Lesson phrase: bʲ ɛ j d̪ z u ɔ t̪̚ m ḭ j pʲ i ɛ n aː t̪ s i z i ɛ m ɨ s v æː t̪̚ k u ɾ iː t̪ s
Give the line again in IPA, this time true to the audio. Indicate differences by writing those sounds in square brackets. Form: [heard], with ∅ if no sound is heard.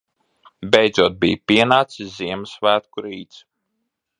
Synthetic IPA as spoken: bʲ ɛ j d̪ z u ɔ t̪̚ [b] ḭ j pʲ i ɛ n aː t̪ s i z i ɛ m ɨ s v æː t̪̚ k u ɾ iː t̪ s